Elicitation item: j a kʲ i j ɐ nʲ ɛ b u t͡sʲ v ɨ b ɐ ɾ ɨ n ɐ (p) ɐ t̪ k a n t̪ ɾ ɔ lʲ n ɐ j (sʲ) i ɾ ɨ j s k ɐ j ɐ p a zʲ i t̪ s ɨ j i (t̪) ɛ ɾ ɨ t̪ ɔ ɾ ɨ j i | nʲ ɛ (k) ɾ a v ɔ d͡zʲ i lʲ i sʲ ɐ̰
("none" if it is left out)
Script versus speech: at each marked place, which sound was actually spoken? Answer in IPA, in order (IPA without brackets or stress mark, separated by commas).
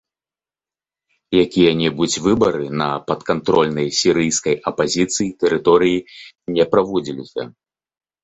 p, sʲ, t̪, p